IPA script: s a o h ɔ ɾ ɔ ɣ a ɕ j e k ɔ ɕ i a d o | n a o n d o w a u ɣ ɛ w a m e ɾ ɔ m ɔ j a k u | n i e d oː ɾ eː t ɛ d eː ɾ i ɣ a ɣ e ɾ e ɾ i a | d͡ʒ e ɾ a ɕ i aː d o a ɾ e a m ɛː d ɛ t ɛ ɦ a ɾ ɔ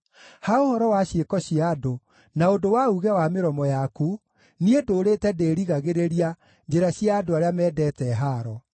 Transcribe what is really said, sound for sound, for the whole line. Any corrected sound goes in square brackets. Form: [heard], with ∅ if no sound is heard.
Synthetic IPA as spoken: [h] a o h ɔ ɾ ɔ [w] a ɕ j e k ɔ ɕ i a d o | n a o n d o w a u ɣ ɛ w a m e ɾ ɔ m ɔ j a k u | n i e d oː ɾ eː t ɛ d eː ɾ i ɣ a ɣ e ɾ e ɾ i a | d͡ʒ e ɾ a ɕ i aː d o a ɾ e a m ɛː d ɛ t ɛ ɦ a ɾ ɔ